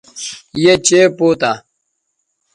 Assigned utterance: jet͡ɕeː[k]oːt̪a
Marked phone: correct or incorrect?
incorrect